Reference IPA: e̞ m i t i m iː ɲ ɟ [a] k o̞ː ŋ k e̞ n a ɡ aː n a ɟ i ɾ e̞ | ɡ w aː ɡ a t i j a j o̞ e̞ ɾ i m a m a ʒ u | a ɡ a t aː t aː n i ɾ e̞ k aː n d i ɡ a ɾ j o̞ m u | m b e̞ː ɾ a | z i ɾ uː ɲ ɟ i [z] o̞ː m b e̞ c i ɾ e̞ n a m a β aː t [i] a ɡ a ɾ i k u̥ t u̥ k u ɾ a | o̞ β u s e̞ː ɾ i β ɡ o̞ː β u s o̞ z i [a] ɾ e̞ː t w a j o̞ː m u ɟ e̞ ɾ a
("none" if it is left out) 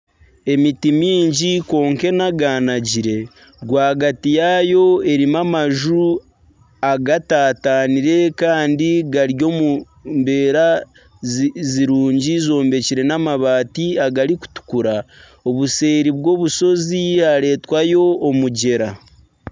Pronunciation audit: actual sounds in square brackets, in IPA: i, z, i, a

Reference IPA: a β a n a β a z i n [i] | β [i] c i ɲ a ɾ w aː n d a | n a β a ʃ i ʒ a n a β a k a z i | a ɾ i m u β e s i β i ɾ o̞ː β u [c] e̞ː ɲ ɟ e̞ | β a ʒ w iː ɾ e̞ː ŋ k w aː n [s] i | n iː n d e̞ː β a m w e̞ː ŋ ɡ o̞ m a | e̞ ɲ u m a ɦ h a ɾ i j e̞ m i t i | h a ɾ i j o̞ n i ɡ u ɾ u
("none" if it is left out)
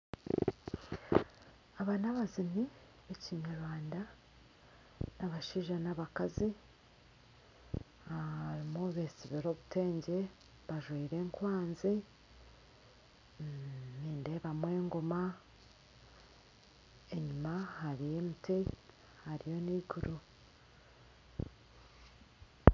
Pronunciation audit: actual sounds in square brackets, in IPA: i, e, t, z

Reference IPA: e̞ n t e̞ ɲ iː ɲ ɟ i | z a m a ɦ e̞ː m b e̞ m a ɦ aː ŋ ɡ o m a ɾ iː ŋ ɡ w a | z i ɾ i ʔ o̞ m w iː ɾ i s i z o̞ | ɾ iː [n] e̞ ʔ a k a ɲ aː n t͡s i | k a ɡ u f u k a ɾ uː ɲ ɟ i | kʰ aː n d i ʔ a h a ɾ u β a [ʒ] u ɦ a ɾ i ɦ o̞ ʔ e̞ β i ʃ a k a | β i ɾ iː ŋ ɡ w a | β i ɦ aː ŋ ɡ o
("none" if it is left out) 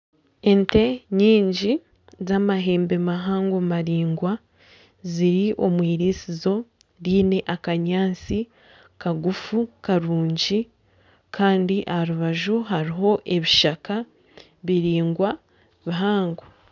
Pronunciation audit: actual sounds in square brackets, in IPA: n, ʒ

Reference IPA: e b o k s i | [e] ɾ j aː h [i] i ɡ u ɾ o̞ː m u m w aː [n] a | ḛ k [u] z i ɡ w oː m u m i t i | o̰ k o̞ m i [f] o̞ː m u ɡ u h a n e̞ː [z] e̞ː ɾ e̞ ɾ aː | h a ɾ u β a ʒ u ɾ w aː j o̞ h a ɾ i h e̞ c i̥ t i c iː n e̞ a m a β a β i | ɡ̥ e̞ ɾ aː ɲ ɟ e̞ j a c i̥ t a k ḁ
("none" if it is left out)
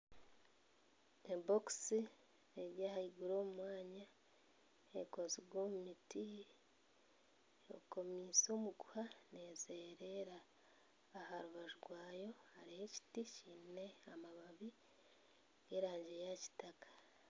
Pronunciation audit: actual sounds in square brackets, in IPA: e, a, ɲ, o, s, z

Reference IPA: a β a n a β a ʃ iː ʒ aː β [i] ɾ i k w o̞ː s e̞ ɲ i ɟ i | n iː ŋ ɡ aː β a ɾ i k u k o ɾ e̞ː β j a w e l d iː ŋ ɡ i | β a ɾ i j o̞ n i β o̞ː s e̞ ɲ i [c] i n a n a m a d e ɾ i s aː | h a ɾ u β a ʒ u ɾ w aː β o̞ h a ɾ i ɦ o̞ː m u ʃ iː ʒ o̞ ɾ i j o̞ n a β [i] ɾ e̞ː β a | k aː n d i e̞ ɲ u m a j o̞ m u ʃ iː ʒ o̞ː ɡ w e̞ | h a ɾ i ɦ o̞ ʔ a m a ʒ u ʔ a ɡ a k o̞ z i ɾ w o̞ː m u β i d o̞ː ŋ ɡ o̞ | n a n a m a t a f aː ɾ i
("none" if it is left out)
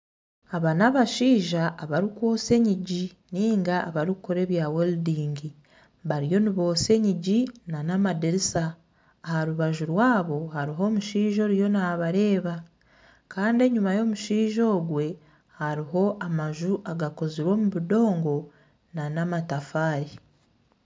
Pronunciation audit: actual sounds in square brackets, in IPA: a, ɟ, a

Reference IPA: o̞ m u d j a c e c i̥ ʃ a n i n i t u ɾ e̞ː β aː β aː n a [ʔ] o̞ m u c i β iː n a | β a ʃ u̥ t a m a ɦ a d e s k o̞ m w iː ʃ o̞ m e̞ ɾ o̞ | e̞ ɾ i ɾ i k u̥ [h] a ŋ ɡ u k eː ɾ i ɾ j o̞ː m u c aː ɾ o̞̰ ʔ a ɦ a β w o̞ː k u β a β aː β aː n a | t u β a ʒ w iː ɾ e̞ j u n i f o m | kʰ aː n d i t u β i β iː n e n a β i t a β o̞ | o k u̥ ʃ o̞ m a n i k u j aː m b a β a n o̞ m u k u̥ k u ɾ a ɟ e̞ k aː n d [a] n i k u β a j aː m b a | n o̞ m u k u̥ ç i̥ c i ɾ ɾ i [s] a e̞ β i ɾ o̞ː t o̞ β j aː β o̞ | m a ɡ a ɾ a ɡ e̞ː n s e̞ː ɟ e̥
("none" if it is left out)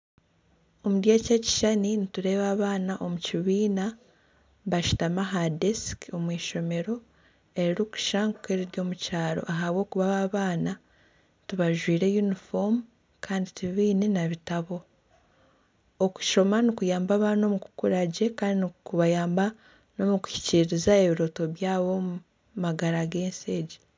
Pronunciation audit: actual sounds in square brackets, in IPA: ʔ, ʃ, i, z

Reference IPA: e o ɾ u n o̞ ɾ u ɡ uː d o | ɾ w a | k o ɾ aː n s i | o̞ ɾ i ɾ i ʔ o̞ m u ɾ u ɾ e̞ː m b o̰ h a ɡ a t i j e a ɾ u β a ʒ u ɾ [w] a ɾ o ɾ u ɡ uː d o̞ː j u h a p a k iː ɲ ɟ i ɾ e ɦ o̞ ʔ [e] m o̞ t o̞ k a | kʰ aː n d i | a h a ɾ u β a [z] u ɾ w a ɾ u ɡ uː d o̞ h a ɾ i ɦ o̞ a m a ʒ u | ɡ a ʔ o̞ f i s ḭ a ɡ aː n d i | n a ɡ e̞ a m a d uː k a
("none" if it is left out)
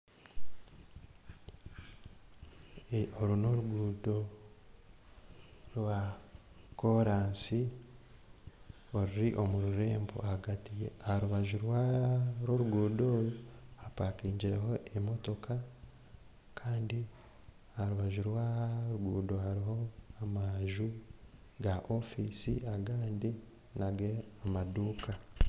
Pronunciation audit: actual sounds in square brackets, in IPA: w, e, ʒ

